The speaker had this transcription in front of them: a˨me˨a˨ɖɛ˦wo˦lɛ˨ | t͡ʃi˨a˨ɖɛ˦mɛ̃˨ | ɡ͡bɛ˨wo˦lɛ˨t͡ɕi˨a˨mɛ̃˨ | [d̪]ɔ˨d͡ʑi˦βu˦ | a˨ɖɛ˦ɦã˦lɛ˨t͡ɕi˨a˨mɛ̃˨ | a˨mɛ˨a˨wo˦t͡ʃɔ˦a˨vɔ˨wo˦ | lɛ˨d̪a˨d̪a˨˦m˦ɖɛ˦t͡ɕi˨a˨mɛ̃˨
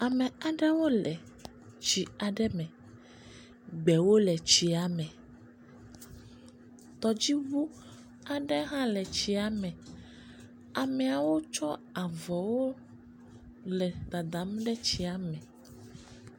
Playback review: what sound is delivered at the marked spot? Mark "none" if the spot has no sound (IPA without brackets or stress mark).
t̪